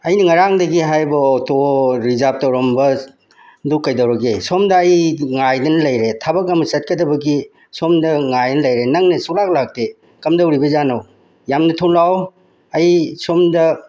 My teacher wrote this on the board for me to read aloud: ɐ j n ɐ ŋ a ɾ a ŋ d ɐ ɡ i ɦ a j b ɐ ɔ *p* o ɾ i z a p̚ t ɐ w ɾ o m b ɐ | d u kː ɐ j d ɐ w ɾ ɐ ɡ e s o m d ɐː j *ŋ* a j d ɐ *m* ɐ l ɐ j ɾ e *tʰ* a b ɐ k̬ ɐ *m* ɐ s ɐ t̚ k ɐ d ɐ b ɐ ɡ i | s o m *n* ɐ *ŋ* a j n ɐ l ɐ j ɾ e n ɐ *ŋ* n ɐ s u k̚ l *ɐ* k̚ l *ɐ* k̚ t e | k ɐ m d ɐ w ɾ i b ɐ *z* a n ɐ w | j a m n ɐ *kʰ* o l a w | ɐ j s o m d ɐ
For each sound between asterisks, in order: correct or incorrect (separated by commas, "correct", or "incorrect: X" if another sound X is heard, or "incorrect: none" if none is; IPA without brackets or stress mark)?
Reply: incorrect: t, correct, incorrect: n, correct, correct, incorrect: d, correct, correct, incorrect: a, incorrect: a, correct, incorrect: tʰ